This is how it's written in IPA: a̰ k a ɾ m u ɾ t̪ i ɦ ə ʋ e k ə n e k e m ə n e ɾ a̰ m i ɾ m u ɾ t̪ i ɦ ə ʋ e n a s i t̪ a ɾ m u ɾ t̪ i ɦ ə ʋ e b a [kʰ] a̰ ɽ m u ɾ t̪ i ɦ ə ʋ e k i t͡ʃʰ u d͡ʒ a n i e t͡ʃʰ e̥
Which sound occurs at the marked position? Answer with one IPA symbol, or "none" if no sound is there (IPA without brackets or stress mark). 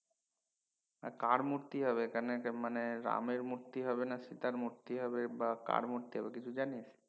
k